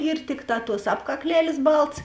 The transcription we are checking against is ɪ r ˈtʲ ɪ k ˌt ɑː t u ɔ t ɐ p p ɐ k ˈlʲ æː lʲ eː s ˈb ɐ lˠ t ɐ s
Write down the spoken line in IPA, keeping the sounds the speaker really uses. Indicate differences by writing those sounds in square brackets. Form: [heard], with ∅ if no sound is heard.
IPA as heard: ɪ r ˈtʲ ɪ k ˌt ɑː t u ɔ [s] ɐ p [k] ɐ k ˈlʲ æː lʲ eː s ˈb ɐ lˠ t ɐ s